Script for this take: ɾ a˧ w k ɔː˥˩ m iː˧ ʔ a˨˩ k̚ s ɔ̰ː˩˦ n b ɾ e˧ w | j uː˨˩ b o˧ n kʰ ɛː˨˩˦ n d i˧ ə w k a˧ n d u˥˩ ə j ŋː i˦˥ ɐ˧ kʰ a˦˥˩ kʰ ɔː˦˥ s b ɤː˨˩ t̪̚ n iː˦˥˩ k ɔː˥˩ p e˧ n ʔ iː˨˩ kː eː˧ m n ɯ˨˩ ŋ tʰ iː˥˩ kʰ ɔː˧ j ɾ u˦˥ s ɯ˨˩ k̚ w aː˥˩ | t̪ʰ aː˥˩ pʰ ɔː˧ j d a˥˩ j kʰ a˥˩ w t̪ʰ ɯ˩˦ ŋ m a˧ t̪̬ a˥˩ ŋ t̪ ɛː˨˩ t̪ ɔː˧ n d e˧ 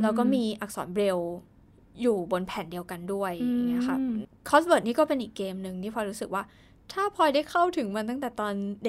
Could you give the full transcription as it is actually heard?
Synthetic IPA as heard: ɾ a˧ w k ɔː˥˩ m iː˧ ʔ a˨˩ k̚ s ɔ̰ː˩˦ n b ɾ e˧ w | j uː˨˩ b o˧ n pʰ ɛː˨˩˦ n d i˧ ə w k a˧ n d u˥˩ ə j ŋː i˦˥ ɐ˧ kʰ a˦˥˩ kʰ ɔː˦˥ s b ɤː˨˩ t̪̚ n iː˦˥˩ k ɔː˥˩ p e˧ n ʔ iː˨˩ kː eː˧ m n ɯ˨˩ ŋ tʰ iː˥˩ pʰ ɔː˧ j ɾ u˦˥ s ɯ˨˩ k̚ w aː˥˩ | t̪ʰ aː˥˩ pʰ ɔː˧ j d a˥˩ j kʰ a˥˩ w t̪ʰ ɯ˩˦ ŋ m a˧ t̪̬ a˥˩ ŋ t̪ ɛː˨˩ t̪ ɔː˧ n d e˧